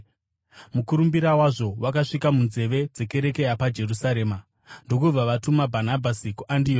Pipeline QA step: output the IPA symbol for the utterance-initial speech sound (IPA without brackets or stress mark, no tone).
m